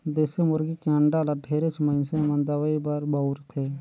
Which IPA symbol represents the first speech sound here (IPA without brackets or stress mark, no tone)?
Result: d̪